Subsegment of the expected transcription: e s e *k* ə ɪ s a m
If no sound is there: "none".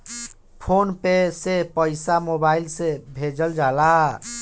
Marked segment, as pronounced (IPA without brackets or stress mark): p